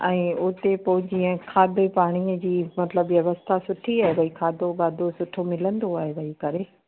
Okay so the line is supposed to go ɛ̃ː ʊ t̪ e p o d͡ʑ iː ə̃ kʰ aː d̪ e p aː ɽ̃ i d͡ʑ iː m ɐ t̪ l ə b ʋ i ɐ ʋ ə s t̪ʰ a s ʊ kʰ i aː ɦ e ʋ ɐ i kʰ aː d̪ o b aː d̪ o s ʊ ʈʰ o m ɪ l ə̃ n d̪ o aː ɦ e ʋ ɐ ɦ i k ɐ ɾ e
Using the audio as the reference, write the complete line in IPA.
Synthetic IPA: ɛ̃ː ʊ t̪ e p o d͡ʑ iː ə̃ kʰ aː d̪ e p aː ɽ̃ i d͡ʑ iː m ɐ t̪ l ə b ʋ j ɐ ʋ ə s t̪ʰ a s ʊ ʈʰ i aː ɦ e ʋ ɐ i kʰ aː d̪ o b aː d̪ o s ʊ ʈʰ o m ɪ l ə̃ n d̪ o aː ɦ e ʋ ɐ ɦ i k ɐ ɾ e

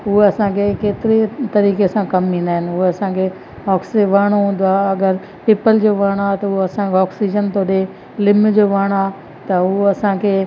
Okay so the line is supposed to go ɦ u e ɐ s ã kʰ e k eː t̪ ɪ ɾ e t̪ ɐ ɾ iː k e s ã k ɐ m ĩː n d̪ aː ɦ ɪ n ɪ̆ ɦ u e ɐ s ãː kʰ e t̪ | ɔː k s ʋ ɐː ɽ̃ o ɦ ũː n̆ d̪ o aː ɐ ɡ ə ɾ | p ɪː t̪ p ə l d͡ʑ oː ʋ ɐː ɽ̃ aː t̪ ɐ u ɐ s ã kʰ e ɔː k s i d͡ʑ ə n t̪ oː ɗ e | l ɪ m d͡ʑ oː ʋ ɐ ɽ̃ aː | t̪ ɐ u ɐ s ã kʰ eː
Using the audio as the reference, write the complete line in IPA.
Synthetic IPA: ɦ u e ɐ s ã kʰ e k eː t̪ ɪ ɾ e t̪ ɐ ɾ iː k e s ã k ɐ m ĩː n d̪ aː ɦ ɪ n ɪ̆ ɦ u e ɐ s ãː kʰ e | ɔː k s ʋ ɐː ɽ̃ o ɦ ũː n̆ d̪ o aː ɐ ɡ ə ɾ | p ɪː p ə l d͡ʑ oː ʋ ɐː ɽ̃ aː t̪ ɐ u ɐ s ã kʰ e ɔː k s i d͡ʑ ə n t̪ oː ɗ e | l ɪ m d͡ʑ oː ʋ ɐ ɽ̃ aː | t̪ ɐ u ɐ s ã kʰ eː

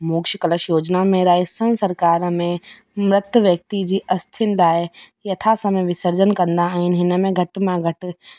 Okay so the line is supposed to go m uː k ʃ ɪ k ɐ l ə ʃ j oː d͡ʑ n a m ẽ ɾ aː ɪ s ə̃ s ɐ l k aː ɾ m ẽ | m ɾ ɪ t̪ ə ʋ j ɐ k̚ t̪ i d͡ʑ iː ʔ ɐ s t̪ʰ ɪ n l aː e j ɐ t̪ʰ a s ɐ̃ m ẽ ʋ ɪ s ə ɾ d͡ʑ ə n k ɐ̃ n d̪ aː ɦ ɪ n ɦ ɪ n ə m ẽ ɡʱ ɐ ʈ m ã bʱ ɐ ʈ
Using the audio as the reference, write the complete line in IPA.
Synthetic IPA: m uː k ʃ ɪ k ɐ l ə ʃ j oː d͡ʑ n a m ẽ ɾ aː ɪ s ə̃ s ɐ ɾ k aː ɾ m ẽ | m ɾ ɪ t̪ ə ʋ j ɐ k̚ t̪ i d͡ʑ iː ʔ ɐ s t̪ʰ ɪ n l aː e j ɐ t̪ʰ a s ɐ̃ m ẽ ʋ ɪ s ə ɾ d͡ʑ ə n k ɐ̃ n d̪ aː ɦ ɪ n ɦ ɪ n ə m ẽ ɡʱ ɐ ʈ m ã ɡʱ ɐ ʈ

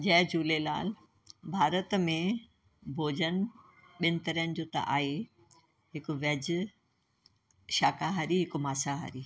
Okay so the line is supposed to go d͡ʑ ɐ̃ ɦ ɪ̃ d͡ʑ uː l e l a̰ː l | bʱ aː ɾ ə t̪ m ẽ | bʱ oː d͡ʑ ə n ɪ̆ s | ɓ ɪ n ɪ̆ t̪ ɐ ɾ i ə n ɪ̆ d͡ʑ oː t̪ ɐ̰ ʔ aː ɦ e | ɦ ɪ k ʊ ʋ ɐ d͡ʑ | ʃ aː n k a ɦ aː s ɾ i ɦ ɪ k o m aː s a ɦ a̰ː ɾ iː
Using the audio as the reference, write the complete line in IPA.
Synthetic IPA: d͡ʑ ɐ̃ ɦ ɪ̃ d͡ʑ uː l e l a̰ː l | bʱ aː ɾ ə t̪ m ẽ | bʱ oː d͡ʑ ə n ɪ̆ | ɓ ɪ n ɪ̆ t̪ ɐ ɾ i ə n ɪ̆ d͡ʑ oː t̪ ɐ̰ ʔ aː ɦ e | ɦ ɪ k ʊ ʋ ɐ d͡ʑ | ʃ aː k a ɦ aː ɾ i ɦ ɪ k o m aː s a ɦ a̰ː ɾ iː

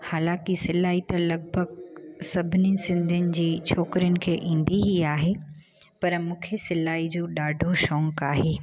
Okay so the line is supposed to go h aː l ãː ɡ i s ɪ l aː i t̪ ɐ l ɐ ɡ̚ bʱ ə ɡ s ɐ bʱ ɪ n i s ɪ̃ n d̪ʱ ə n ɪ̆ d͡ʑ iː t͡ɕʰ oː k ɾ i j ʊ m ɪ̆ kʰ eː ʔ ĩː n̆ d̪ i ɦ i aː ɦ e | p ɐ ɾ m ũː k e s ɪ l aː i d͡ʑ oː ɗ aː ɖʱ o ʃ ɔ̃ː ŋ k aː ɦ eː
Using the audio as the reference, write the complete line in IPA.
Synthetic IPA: h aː l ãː k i s ɪ l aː i t̪ ɐ l ɐ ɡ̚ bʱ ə ɡ s ɐ bʱ ɪ n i s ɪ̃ n d̪ʱ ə n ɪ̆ d͡ʑ iː t͡ɕʰ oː k ɾ i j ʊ n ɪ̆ kʰ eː ʔ ĩː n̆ d̪ i ɦ i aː ɦ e | p ɐ ɾ m ũː kʰ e s ɪ l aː i d͡ʑ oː ɗ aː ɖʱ o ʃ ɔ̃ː ŋ k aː ɦ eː

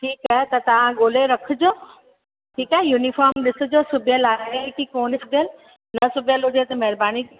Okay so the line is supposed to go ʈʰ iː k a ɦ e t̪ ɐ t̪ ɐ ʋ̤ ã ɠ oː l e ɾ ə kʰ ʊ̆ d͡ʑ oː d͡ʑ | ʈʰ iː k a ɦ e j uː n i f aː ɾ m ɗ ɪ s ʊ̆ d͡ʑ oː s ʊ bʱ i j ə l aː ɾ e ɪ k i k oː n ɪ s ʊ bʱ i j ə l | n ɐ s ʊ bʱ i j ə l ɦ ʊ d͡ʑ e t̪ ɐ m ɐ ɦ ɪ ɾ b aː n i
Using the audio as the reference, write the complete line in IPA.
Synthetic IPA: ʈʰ iː k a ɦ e t̪ ɐ t̪ ɐ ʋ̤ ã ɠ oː l e ɾ ɐ kʰ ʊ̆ d͡ʑ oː | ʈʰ iː k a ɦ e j uː n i f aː ɾ m ɗ ɪ s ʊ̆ d͡ʑ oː s ʊ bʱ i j ə l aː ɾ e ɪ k i k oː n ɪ s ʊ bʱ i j ə l | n ɐ s ʊ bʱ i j ə l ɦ ʊ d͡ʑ e t̪ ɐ m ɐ ɦ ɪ ɾ b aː n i

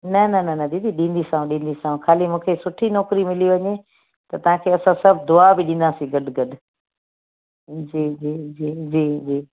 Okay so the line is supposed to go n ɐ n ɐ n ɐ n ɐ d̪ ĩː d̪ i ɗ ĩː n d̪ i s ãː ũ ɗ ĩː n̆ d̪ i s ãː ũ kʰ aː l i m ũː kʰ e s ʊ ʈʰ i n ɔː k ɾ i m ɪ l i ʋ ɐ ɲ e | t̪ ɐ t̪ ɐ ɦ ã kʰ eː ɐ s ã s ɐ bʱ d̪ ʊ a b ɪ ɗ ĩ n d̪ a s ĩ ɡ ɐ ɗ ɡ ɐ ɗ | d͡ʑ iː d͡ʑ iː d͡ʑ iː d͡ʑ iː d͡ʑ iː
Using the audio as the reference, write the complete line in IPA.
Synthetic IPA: n ɐ n ɐ n ɐ n ɐ d̪ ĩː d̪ i ɗ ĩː n d̪ i s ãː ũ ɗ ĩː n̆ d̪ i s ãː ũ kʰ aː l i m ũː kʰ e s ʊ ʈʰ i n ɔː k ɾ i m ɪ l i ʋ ɐ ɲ e | t̪ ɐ t̪ ɐ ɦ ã kʰ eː ɐ s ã s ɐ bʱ d̪ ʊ a b ɪ ɗ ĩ n d̪ a s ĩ ɡ ɐ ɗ ɡ ɐ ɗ | d͡ʑ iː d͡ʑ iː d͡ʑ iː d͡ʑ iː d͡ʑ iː

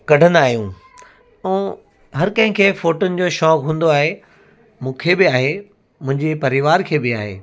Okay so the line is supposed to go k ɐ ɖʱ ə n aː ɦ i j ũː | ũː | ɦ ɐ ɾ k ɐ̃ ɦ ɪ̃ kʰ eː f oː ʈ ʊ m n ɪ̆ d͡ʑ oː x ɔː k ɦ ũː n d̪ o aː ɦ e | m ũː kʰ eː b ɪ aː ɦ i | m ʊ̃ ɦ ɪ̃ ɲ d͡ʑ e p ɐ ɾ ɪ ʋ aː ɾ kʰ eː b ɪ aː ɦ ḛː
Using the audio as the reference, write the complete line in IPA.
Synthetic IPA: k ɐ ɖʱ ə n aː ɦ i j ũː | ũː | ɦ ɐ ɾ k ɐ̃ ɦ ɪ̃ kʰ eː f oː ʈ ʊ n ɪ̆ d͡ʑ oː ʃ ɔː k ɦ ũː n d̪ o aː ɦ e | m ũː kʰ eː b ɪ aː ɦ e | m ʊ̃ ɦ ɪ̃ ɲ d͡ʑ e p ɐ ɾ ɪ ʋ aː ɾ kʰ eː b ɪ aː ɦ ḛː

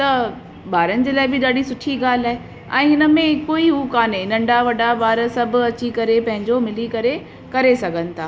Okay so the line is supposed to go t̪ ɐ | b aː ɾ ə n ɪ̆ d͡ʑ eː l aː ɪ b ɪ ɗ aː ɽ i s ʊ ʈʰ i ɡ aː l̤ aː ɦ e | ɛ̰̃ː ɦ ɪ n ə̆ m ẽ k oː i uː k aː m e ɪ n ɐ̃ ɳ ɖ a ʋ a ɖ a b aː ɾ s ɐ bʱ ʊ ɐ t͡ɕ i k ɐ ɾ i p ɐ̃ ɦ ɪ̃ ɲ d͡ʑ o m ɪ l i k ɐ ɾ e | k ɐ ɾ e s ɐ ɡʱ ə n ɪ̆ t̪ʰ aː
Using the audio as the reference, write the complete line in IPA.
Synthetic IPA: t̪ ɐ | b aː ɾ ə n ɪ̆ d͡ʑ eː l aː ɪ b ɪ ɗ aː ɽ i s ʊ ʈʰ i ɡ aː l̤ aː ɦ e | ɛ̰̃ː ɦ ɪ n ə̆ m ẽ k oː i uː k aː n e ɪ n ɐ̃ ɳ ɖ a ʋ ɐ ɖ a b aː ɾ s ɐ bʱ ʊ ɐ t͡ɕ i k ɐ ɾ e p ɐ̃ ɦ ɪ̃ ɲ d͡ʑ o m ɪ l i k ɐ ɾ e | k ɐ ɾ e s ɐ ɡʱ ə n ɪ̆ t̪ʰ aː

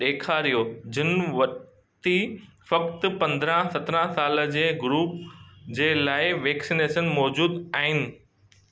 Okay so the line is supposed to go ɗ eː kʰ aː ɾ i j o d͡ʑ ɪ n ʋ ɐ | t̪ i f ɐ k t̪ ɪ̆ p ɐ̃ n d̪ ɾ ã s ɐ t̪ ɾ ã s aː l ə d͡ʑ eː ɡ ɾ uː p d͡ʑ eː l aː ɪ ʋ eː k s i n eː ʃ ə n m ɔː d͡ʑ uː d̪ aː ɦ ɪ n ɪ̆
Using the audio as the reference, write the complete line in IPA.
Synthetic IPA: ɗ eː kʰ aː ɾ i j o d͡ʑ ɪ n ʋ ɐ | t̪ i f ɐ k t̪ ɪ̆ p ɐ̃ n d̪ ɾ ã s ɐ t̪ ɾ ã s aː l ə d͡ʑ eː ɡ ɾ uː p d͡ʑ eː l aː ɪ ʋ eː k s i n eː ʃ ə n m ɔː d͡ʑ uː d̪ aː ɦ ɪ n ɪ̆

